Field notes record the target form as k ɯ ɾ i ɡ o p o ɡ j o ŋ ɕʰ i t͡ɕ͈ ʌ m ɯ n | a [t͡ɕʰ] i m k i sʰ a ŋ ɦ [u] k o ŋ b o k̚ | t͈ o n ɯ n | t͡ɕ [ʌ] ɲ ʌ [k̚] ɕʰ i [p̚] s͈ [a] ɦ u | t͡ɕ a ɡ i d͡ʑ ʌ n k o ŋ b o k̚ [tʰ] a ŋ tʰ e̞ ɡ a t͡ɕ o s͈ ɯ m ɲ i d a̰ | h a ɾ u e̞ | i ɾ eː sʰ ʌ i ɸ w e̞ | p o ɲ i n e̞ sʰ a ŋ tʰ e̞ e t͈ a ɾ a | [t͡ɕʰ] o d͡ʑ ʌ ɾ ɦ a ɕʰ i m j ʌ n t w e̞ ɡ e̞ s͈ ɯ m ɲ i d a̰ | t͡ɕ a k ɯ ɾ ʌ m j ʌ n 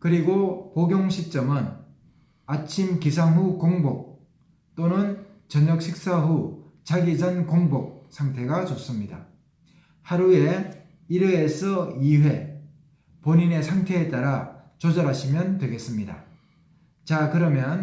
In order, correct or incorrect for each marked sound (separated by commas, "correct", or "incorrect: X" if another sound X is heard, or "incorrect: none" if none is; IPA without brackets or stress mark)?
correct, correct, correct, correct, incorrect: k̚, correct, incorrect: sʰ, incorrect: t͡ɕ